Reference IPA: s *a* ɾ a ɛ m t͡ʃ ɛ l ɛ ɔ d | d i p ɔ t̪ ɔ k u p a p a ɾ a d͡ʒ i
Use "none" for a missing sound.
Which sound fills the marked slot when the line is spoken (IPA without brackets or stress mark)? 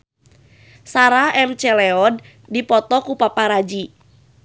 a